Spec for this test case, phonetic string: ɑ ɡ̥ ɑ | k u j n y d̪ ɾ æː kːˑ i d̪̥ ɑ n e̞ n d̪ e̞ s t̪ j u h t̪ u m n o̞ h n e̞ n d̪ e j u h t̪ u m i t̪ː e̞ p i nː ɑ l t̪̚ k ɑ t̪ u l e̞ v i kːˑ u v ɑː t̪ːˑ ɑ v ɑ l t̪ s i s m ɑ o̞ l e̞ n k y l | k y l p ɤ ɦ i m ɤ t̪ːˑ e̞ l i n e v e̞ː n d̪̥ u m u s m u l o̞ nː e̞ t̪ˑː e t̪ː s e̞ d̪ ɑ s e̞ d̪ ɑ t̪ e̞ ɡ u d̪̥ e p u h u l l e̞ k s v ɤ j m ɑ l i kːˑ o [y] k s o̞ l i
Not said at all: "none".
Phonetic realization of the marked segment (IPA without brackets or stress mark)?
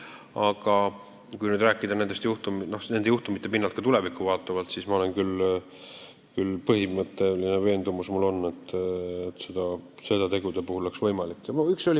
y